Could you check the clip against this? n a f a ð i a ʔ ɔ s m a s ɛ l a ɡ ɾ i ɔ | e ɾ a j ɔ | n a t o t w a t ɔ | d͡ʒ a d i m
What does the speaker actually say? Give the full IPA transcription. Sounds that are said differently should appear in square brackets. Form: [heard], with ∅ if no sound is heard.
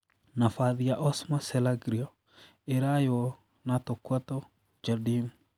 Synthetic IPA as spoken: n a f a ð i a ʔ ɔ s m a s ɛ l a ɡ ɾ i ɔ | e ɾ a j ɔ | n a t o [k] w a t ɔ | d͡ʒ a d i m